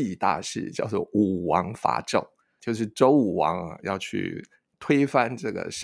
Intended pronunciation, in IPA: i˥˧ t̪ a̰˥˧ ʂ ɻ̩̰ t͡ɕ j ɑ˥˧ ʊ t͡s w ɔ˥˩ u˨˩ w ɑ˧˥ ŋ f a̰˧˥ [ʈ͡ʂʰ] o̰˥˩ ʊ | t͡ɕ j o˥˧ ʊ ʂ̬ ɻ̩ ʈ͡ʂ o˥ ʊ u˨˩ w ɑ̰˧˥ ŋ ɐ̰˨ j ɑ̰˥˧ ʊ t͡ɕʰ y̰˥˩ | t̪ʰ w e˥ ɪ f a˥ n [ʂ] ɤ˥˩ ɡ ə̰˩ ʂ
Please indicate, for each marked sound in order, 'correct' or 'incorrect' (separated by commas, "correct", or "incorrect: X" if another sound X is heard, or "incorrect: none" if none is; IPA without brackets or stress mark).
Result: incorrect: ʈ͡ʂ, incorrect: ʈ͡ʂ